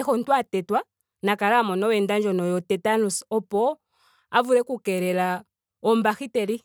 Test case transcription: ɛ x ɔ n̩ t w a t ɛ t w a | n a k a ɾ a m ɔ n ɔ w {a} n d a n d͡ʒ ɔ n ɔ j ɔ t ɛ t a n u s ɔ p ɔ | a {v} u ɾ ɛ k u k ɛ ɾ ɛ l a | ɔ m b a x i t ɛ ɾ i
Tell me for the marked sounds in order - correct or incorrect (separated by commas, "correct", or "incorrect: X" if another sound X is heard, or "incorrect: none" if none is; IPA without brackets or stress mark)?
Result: incorrect: ɛ, correct